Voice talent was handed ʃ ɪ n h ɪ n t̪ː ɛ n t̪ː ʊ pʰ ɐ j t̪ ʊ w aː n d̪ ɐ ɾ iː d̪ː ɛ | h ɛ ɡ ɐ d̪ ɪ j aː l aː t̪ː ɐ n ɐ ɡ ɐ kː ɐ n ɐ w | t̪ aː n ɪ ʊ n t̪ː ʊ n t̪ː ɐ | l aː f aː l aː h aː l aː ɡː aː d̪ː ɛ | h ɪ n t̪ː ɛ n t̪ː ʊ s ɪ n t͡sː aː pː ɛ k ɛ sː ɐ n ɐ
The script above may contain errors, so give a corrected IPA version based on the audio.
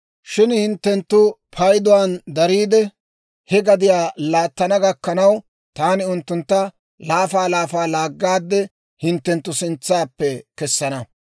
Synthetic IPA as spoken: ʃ ɪ n h ɪ n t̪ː ɛ n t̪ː ʊ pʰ ɐ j d̪ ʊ w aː n d̪ ɐ ɾ iː d̪ ɛ | h ɛ ɡ ɐ d̪ ɪ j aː l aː t̪ː ɐ n ɐ ɡ ɐ kː ɐ n ɐ w | t̪ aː n ɪ ʊ n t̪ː ʊ n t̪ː ɐ | l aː f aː l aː f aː l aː ɡː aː d̪ː ɛ | h ɪ n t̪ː ɛ n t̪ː ʊ s ɪ n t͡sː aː pː ɛ k ɛ sː ɐ n ɐ